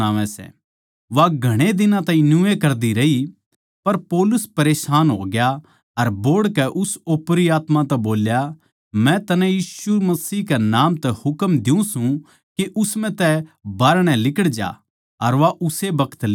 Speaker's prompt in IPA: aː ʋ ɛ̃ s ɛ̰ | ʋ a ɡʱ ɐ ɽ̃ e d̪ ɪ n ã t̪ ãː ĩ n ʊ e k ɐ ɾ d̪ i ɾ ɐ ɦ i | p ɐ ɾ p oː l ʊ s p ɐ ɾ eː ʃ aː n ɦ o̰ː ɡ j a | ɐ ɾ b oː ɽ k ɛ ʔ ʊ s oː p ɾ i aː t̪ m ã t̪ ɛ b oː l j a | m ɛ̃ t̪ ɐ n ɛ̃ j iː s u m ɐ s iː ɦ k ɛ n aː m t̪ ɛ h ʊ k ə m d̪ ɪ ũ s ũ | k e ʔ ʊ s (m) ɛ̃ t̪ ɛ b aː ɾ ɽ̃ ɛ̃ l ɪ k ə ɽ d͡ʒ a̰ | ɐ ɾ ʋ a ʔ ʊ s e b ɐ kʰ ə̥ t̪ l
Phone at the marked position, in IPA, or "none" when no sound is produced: m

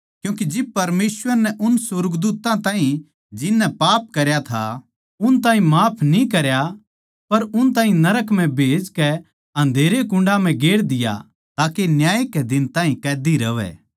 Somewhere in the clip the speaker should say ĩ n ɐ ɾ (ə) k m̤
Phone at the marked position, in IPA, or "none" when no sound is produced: ə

